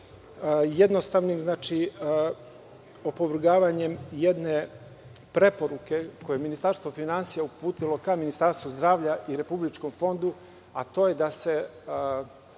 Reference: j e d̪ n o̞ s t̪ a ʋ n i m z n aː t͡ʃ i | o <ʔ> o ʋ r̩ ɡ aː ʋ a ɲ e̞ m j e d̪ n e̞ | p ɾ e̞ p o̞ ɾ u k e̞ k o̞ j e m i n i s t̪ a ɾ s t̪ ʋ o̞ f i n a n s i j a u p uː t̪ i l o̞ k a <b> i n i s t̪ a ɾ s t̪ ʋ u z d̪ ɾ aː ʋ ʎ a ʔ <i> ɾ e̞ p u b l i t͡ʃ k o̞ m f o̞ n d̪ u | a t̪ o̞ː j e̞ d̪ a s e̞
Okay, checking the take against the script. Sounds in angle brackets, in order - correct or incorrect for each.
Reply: incorrect, incorrect, correct

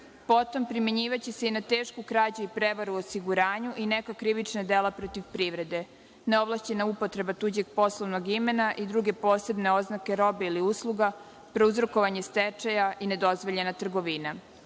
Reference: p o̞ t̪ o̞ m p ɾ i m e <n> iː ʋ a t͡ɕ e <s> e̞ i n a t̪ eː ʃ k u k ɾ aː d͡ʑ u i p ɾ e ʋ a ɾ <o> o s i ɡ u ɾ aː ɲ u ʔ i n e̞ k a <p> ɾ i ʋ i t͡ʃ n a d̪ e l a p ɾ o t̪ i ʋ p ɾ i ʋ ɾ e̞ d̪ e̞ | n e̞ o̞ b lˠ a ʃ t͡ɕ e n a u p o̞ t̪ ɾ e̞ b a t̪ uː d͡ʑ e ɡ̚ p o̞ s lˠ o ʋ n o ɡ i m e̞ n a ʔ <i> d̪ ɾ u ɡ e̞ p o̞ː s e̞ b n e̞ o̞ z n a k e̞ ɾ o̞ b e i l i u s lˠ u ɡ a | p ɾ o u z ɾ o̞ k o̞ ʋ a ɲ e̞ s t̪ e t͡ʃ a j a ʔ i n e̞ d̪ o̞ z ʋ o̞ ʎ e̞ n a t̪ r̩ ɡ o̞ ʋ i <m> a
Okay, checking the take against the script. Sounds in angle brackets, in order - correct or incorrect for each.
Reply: incorrect, correct, incorrect, incorrect, correct, incorrect

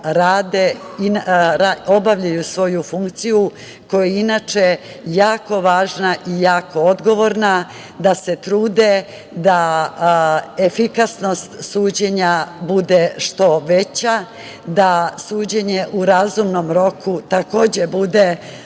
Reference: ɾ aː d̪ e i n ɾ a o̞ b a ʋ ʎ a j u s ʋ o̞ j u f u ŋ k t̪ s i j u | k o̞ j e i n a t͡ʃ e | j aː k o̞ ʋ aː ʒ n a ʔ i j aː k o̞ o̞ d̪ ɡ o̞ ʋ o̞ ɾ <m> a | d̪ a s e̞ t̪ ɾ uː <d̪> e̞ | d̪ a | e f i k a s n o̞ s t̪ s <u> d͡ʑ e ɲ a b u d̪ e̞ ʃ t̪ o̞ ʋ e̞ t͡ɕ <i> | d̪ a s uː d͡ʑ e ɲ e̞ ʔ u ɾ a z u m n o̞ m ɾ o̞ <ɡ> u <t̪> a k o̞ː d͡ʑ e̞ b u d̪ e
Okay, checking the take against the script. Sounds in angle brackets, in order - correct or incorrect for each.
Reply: incorrect, correct, incorrect, incorrect, incorrect, correct

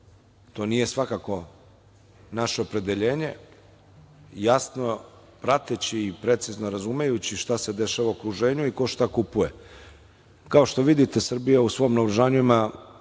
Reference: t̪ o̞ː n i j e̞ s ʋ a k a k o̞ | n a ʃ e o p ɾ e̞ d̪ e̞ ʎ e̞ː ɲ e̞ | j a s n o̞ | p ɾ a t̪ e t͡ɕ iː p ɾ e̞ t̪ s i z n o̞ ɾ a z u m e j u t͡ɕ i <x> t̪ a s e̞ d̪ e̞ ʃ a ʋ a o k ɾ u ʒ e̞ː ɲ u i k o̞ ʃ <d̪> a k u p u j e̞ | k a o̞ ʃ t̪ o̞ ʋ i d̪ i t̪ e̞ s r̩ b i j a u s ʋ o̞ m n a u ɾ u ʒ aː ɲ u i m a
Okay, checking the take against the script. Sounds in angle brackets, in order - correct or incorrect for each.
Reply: incorrect, incorrect

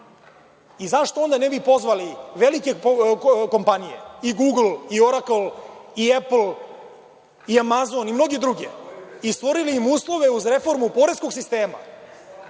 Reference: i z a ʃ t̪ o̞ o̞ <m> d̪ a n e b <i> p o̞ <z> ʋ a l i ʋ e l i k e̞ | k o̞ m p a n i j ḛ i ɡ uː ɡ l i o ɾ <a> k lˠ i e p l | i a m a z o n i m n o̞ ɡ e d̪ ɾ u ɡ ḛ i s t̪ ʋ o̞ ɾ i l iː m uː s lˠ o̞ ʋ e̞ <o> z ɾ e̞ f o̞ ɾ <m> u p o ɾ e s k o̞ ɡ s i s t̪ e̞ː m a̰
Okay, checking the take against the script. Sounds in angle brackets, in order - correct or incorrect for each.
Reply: incorrect, correct, correct, correct, incorrect, correct

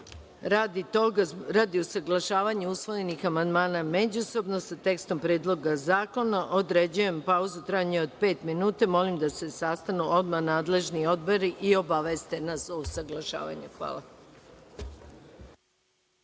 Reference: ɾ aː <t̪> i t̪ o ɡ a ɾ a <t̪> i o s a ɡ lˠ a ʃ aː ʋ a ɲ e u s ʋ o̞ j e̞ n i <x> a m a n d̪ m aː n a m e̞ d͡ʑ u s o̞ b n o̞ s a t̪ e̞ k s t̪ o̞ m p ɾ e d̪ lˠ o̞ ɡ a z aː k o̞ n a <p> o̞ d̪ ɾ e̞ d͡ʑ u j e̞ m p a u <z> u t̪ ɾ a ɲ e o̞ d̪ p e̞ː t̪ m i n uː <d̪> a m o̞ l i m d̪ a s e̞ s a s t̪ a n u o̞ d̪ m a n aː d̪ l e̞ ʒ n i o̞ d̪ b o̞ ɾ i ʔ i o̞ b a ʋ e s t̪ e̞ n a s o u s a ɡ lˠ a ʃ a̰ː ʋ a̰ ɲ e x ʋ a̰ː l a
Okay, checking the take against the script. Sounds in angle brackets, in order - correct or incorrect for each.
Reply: incorrect, incorrect, correct, incorrect, correct, incorrect

